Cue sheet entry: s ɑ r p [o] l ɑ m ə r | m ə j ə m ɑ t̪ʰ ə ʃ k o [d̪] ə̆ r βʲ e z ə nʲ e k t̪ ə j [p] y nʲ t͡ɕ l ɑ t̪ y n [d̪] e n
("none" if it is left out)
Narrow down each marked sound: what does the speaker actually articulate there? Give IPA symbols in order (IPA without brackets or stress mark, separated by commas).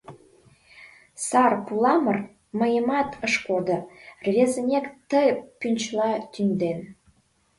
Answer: u, d̪, p, d̪